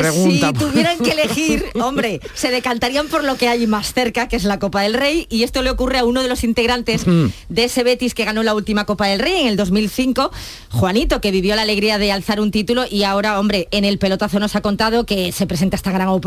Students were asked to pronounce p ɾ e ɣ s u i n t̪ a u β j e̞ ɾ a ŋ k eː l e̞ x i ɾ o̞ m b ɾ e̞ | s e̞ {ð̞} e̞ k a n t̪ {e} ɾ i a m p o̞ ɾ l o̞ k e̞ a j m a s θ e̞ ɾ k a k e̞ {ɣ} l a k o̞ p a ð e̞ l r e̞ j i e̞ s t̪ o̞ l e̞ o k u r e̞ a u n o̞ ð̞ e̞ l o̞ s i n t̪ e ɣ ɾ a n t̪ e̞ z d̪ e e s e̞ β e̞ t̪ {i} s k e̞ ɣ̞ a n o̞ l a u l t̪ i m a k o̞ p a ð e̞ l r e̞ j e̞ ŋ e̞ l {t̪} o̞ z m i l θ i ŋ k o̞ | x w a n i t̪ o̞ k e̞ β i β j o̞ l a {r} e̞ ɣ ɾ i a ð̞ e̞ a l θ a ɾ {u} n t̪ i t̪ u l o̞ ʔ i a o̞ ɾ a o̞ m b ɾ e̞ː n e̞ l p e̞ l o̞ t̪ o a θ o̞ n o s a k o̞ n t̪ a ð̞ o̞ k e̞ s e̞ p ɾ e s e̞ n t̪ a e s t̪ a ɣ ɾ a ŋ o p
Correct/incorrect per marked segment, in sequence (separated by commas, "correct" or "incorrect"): correct, incorrect, incorrect, correct, incorrect, incorrect, correct